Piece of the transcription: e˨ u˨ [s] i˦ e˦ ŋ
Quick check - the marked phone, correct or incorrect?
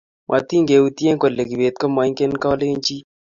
incorrect